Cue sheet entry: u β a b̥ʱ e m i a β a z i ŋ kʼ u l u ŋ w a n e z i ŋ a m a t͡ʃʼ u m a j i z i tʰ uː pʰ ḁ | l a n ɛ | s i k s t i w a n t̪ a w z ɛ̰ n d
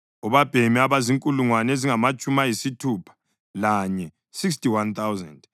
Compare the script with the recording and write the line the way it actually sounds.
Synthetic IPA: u β a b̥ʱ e m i a β a z i ŋ kʼ u l u ŋ w a n e z i ŋ a m a t͡ʃʼ u m a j i s i tʰ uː pʰ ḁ | l a ɲ ɛ | s i k s t i w a n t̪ a w z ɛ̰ n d